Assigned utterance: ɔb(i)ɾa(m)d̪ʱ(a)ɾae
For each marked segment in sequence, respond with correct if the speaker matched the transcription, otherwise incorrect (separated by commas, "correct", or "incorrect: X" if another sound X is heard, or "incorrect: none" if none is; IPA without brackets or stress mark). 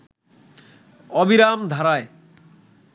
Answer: correct, correct, correct